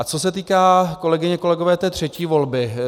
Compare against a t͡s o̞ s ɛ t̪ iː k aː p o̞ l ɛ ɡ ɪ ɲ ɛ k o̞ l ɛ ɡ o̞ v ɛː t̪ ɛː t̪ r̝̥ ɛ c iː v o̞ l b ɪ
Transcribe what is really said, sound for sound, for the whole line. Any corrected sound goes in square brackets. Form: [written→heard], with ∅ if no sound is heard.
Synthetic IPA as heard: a t͡s o̞ s ɛ t̪ iː k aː [p→k] o̞ l ɛ ɡ ɪ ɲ ɛ k o̞ l ɛ ɡ o̞ v ɛː t̪ ɛː t̪ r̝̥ ɛ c iː v o̞ l b ɪ